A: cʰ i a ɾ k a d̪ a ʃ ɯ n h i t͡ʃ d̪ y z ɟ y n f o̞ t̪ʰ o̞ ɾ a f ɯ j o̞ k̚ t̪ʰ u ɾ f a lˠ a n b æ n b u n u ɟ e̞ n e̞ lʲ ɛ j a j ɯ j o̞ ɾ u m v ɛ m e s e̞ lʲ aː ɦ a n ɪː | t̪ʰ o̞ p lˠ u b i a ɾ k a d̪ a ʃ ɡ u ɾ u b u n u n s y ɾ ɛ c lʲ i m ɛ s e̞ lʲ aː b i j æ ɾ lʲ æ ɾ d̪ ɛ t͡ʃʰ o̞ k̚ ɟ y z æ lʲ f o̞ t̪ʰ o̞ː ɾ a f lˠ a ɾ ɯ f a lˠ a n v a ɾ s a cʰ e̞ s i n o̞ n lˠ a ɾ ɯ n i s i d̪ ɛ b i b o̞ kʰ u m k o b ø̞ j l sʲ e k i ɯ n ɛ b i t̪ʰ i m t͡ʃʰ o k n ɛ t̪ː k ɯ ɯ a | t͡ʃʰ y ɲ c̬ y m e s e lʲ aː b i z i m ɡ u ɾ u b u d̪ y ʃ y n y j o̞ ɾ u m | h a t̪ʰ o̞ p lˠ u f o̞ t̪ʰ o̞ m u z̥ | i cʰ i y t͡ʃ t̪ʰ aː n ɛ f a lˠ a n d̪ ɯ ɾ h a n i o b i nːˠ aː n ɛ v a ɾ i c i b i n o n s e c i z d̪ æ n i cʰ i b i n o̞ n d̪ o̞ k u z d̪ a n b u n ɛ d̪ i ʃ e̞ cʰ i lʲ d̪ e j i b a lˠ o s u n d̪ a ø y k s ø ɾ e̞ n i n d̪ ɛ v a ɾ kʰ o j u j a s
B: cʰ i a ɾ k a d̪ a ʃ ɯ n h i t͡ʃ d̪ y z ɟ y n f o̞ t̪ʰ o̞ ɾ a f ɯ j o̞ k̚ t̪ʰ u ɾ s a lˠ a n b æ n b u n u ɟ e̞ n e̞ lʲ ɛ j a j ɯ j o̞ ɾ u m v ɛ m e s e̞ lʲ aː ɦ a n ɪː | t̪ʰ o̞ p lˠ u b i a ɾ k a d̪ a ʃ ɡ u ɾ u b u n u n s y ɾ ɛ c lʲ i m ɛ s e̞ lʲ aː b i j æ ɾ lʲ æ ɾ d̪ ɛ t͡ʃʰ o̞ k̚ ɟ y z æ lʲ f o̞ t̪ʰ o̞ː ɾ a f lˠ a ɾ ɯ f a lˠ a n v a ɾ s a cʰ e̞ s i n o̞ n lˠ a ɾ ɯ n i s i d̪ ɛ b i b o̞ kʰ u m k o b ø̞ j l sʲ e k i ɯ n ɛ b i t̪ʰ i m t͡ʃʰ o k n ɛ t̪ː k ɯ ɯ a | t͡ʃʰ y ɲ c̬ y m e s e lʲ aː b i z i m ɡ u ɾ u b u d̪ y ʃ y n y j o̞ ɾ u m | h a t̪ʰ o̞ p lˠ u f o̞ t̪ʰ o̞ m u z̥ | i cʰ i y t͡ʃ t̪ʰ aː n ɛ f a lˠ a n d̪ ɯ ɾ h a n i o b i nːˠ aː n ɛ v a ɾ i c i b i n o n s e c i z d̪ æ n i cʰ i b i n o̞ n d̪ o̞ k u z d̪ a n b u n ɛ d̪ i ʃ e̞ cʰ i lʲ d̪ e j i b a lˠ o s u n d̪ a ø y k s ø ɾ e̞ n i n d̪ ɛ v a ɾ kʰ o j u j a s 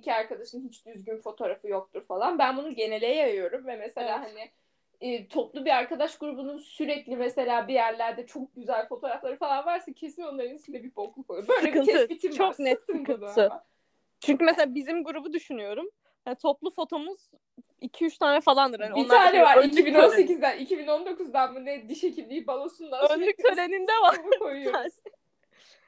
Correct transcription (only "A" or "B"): A